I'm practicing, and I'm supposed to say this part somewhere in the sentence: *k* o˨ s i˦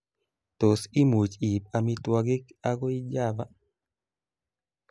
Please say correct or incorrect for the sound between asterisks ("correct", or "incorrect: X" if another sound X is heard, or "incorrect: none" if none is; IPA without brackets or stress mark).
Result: incorrect: t